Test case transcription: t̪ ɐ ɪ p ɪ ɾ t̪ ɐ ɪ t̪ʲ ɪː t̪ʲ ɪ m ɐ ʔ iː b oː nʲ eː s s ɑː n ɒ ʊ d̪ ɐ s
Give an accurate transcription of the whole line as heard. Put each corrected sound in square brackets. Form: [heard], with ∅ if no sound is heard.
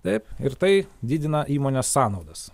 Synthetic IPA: t̪ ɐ ɪ p ɪ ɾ t̪ ɐ ɪ [d̪ʲ] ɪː [d̪ʲ] ɪ [n] ɐ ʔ iː [m] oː nʲ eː s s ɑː n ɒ ʊ d̪ ɐ s

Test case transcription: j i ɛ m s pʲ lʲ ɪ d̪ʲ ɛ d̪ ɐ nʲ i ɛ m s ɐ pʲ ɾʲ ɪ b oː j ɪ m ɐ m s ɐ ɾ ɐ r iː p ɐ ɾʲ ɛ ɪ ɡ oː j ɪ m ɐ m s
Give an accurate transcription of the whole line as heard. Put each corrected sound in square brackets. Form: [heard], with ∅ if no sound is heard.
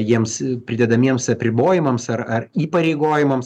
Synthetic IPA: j i ɛ m s pʲ [ɾʲ] ɪ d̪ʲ ɛ d̪ ɐ [mʲ] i ɛ m s ɐ pʲ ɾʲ ɪ b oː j ɪ m ɐ m s ɐ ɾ ɐ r iː p ɐ ɾʲ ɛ ɪ ɡ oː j ɪ m ɐ m s

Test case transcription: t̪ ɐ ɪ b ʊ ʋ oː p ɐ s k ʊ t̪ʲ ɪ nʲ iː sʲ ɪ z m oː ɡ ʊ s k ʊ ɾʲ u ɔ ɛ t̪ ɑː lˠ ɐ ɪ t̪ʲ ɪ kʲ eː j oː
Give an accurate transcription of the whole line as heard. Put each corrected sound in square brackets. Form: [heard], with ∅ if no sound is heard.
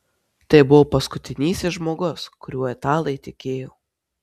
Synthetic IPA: t̪ ɐ ɪ b ʊ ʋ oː p ɐ s k ʊ t̪ʲ ɪ nʲ iː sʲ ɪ [ʒ] m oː ɡ ʊ s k ʊ ɾʲ u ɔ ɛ t̪ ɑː lˠ ɐ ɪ t̪ʲ ɪ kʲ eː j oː

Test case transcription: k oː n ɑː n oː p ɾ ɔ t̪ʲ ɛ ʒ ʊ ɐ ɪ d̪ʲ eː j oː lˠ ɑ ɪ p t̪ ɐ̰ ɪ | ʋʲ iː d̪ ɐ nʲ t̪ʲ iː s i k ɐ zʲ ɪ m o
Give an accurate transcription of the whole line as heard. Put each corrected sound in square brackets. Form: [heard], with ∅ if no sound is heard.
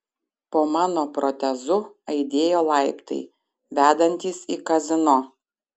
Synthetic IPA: [p] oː [m] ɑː n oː p ɾ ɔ t̪ʲ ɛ [z] ʊ ɐ ɪ d̪ʲ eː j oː lˠ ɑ ɪ p t̪ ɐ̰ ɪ | ʋʲ [æː] d̪ ɐ nʲ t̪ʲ iː s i k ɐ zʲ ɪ [n] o

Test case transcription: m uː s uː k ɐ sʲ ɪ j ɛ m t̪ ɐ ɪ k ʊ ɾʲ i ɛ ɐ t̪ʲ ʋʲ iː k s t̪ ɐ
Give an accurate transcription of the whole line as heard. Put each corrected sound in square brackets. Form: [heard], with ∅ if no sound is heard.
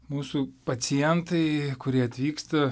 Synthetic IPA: m uː s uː [p] ɐ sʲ ɪ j ɛ [n] t̪ ɐ ɪ k ʊ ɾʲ i ɛ ɐ t̪ʲ ʋʲ iː k s t̪ ɐ

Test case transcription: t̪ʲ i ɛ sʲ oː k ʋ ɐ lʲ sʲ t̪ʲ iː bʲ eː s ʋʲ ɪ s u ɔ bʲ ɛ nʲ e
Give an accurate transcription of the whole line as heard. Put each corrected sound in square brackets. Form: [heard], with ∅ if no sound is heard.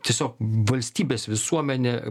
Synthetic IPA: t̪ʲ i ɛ sʲ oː k ʋ ɐ lʲ sʲ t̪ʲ iː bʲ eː s ʋʲ ɪ s u ɔ [mʲ] ɛ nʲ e

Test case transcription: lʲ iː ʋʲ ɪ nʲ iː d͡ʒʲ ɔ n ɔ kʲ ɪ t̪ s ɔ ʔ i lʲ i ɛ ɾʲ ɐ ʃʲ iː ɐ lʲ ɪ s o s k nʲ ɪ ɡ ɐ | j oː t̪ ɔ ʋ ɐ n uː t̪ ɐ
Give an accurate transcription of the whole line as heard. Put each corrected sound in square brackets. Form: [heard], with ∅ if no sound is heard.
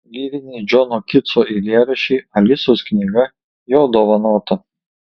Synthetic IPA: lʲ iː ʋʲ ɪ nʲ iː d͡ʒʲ ɔ n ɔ kʲ ɪ t̪ s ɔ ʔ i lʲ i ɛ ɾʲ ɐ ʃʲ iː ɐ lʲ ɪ s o s k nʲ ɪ ɡ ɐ | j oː [d̪] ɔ ʋ ɐ n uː t̪ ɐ

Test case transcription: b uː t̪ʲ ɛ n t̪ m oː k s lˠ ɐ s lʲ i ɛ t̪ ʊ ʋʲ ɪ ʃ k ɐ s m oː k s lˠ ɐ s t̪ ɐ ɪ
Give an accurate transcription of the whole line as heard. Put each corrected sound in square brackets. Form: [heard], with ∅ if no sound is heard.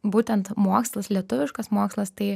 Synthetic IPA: b uː t̪ʲ ɛ n t̪ m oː k s lˠ ɐ s lʲ i ɛ t̪ ʊ ʋʲ ɪ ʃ k ɐ s m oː k s lˠ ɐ s t̪ ɐ ɪ

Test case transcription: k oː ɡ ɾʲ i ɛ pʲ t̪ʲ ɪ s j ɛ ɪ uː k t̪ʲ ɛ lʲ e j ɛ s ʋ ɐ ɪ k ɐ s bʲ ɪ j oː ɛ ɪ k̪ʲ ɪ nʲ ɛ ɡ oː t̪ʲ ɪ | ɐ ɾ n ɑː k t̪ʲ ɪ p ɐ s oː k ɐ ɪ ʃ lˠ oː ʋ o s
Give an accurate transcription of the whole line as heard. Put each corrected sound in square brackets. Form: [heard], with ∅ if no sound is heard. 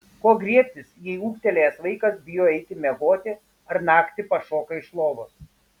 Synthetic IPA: k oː ɡ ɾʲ i ɛ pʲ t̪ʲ ɪ s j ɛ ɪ uː k t̪ʲ ɛ lʲ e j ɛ s ʋ ɐ ɪ k ɐ s bʲ ɪ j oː ɛ ɪ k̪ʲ ɪ [mʲ] ɛ ɡ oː t̪ʲ ɪ | ɐ ɾ n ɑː k t̪ʲ ɪ p ɐ [ʃ] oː k ɐ ɪ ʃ lˠ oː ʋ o s

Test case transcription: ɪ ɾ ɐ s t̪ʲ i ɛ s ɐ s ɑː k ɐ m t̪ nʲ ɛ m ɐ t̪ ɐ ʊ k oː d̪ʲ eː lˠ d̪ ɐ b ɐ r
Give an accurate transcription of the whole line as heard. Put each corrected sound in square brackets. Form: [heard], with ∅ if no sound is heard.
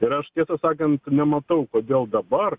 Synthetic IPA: ɪ ɾ ɐ [ʃ] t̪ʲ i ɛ s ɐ s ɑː k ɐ [n] t̪ nʲ ɛ m ɐ t̪ ɐ ʊ k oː d̪ʲ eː lˠ d̪ ɐ b ɐ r

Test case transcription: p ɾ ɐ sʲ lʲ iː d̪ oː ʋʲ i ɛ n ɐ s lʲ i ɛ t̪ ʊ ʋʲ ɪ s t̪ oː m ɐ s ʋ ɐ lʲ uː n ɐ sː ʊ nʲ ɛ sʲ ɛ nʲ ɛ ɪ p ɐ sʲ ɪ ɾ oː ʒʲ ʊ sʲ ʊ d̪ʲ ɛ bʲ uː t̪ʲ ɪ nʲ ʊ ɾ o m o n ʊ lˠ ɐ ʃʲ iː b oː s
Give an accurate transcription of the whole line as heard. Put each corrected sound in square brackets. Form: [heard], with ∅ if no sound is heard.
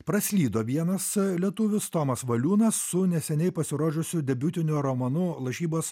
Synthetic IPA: p ɾ ɐ sʲ lʲ iː d̪ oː ʋʲ i ɛ n ɐ s lʲ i ɛ t̪ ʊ ʋʲ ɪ s t̪ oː m ɐ s ʋ ɐ lʲ uː n ɐ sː ʊ nʲ ɛ sʲ ɛ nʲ ɛ ɪ p ɐ sʲ ɪ ɾ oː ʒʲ ʊ sʲ ʊ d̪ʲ ɛ bʲ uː t̪ʲ ɪ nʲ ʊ ɾ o m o n ʊ lˠ ɐ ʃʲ iː b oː s

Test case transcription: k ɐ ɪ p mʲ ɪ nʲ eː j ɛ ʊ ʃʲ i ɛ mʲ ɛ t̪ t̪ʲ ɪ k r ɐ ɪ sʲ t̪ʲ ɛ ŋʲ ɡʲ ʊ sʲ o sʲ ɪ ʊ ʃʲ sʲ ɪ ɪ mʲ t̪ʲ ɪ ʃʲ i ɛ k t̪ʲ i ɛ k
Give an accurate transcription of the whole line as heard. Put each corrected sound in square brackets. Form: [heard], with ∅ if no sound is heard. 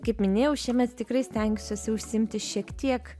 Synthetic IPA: k ɐ ɪ p mʲ ɪ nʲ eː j ɛ ʊ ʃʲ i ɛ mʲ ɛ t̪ t̪ʲ ɪ k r ɐ ɪ sʲ t̪ʲ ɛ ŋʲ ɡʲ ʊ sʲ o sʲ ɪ ʊ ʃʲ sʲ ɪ ɪ mʲ t̪ʲ ɪ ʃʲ i ɛ k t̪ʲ i ɛ k

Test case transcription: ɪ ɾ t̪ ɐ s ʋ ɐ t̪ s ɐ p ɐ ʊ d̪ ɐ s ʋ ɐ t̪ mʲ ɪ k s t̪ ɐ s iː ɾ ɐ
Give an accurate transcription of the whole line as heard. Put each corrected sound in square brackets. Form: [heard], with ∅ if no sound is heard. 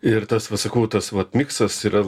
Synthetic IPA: ɪ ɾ t̪ ɐ s ʋ ɐ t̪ s ɐ [k] ɐ ʊ [t̪] ɐ s ʋ ɐ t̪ mʲ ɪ k s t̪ ɐ s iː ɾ ɐ

